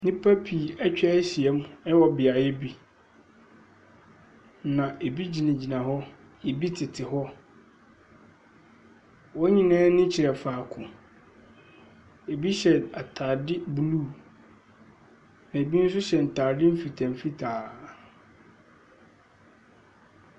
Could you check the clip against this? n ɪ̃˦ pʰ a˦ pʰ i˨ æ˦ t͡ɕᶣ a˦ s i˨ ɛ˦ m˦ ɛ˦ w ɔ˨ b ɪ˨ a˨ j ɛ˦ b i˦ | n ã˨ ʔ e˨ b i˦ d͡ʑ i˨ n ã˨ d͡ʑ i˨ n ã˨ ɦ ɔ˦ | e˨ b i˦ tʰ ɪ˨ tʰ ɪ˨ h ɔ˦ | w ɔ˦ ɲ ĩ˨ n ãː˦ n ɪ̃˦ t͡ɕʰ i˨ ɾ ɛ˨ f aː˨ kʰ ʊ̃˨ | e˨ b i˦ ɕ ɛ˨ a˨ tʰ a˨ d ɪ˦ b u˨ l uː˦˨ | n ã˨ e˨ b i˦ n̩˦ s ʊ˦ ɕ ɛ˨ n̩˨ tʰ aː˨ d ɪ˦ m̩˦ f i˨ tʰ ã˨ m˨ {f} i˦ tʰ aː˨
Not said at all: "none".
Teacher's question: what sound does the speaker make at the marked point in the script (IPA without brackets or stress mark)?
f